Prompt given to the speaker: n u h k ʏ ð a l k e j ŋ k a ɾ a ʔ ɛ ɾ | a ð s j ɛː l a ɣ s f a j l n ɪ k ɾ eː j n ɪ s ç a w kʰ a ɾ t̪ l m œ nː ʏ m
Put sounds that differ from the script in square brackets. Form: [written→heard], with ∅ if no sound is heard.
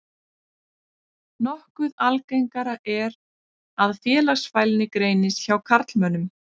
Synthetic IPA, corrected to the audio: n [u→ɔ] h k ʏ ð a l k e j ŋ k a ɾ a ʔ ɛ ɾ | a ð [s→f] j ɛː l a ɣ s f a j l n ɪ k ɾ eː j n ɪ s ç a w kʰ a ɾ t̪ l m œ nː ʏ m